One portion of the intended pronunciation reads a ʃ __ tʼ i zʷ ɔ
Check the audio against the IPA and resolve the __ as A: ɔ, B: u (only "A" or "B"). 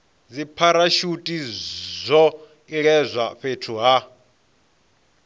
B